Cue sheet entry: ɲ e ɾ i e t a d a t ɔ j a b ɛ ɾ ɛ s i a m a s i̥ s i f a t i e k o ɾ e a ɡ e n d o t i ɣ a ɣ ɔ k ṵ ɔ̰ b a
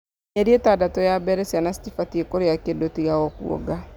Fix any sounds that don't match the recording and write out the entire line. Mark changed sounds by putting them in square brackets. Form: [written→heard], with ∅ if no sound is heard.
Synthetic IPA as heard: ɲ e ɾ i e t a d a t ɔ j a b ɛ ɾ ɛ s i a [m→n] a s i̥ [s→t] i f a t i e k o ɾ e a [ɡ→k] e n d o t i ɣ a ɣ ɔ k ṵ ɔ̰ [b→ɡ] a